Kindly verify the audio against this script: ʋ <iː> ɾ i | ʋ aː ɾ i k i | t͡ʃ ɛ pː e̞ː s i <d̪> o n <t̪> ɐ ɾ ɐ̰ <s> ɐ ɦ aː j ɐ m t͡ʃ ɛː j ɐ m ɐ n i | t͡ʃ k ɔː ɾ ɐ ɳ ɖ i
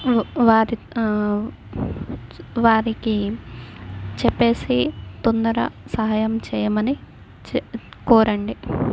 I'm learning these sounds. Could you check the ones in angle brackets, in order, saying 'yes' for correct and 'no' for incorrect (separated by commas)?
no, no, no, yes